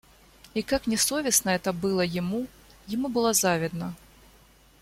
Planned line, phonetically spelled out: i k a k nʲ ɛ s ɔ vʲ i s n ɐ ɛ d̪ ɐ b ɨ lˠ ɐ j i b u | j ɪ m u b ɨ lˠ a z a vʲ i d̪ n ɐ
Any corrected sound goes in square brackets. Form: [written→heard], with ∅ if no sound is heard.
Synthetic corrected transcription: i k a k nʲ ɛ s ɔ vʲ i s n ɐ ɛ [d̪→t̪] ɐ b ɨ lˠ ɐ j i [b→m] u | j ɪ m u b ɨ lˠ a z a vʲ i d̪ n ɐ